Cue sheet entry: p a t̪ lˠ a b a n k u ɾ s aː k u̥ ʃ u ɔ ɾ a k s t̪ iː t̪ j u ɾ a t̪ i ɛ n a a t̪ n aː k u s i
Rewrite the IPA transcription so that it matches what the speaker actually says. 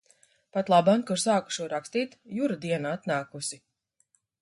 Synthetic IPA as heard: p a t̪ lˠ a b a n k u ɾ s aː k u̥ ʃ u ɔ ɾ a k s t̪ iː t̪ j u ɾ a d̪ i ɛ n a a t̪ n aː k u s i